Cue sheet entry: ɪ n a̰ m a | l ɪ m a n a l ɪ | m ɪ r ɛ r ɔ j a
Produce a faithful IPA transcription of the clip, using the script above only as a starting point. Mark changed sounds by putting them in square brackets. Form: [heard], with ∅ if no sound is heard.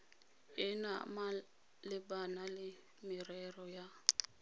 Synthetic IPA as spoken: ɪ n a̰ m a | l ɪ [b] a n a l ɪ | m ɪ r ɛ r ɔ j a

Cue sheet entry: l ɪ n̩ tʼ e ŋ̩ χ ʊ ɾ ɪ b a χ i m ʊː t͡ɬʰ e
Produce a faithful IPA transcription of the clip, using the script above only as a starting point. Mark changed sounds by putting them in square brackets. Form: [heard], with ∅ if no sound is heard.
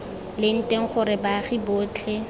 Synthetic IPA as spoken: l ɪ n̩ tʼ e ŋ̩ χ ʊ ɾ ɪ b a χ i [b] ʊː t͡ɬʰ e

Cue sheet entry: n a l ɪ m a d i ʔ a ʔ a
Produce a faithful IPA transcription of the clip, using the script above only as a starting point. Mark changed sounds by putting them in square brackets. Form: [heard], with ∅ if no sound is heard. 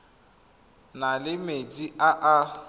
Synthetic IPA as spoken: n a l ɪ m [e] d i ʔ a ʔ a

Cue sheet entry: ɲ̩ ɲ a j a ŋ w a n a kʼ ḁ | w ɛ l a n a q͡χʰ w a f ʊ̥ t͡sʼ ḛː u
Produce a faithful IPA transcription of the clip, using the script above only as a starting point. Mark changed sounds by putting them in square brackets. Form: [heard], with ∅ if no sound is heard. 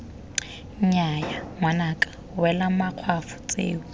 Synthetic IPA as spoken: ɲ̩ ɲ a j a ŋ w a n a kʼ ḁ | w ɛ l a [m] a q͡χʰ w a f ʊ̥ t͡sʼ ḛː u

